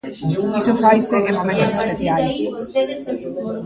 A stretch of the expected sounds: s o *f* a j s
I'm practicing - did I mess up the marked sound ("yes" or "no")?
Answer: no